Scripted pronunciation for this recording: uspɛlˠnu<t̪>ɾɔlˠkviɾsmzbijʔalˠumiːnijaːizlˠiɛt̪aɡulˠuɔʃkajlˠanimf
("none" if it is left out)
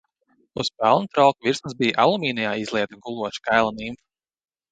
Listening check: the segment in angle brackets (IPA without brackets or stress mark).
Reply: t̪